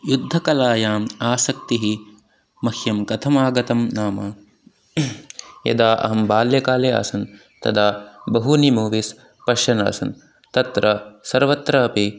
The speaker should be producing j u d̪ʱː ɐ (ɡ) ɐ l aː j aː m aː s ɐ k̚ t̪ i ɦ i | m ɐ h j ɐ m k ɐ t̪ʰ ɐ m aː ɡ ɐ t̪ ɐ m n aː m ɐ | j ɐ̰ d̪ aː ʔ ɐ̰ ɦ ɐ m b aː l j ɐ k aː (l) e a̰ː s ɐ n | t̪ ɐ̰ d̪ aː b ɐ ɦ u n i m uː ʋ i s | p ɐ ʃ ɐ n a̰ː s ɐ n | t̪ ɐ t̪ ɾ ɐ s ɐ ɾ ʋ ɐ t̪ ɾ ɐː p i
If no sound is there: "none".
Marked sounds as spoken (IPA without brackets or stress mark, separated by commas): k, l